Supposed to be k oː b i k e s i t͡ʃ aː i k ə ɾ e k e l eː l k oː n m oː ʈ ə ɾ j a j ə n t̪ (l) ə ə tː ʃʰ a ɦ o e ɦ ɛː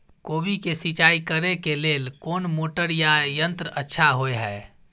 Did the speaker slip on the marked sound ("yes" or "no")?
yes